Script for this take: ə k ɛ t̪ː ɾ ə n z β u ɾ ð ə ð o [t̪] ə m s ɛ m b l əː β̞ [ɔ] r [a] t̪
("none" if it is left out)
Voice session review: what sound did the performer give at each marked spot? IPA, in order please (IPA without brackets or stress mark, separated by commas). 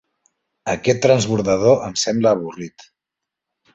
none, u, i